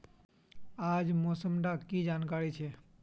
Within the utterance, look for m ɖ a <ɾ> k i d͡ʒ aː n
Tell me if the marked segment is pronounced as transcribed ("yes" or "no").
no